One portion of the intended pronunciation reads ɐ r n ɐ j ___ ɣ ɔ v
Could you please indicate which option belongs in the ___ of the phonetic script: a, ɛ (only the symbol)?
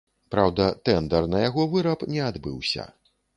a